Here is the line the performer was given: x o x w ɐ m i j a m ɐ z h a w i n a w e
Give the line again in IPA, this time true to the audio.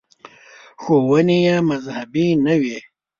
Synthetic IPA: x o w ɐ n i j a m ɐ z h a b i n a w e